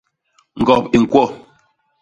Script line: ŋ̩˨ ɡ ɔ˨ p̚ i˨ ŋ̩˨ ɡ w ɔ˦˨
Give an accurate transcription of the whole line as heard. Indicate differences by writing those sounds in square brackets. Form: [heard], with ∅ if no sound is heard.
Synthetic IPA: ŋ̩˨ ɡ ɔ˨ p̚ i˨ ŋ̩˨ [k] w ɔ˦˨